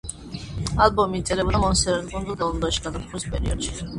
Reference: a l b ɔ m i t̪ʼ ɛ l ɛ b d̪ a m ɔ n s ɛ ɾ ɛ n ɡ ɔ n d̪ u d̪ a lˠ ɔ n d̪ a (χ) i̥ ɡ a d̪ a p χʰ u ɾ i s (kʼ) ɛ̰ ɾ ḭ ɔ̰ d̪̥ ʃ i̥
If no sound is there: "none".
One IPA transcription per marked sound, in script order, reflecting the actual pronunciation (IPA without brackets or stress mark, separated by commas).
ʃ, pʼ